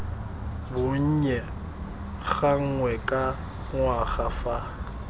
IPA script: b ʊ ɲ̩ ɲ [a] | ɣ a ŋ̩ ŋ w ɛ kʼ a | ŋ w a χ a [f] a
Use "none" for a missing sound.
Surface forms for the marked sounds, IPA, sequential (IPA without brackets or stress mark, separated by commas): ɛ, f